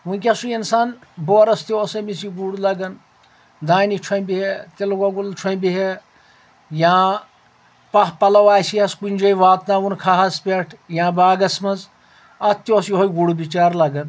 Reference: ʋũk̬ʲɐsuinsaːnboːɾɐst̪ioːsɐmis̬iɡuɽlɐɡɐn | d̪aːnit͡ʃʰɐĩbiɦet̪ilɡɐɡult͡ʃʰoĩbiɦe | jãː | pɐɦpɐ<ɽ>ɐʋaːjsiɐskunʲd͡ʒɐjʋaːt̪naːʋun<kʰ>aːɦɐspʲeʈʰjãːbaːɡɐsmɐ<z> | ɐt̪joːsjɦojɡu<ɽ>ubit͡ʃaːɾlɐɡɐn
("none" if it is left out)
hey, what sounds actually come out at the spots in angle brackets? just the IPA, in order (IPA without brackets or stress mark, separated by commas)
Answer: l, kʰ, z, ɽ